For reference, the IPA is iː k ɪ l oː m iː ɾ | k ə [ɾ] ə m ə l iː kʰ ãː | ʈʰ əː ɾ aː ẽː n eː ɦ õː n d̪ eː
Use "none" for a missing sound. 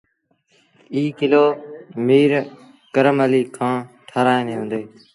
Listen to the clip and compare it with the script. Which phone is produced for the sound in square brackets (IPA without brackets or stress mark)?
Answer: ɾ